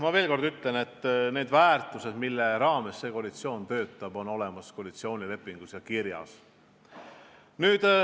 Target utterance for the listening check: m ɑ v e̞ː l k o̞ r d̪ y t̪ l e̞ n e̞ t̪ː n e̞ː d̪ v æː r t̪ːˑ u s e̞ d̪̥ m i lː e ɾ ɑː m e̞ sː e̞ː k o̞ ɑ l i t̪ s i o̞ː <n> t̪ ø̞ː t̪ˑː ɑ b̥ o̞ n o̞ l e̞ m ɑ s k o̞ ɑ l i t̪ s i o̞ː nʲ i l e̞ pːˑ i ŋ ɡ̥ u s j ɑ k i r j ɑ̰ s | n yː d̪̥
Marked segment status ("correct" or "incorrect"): correct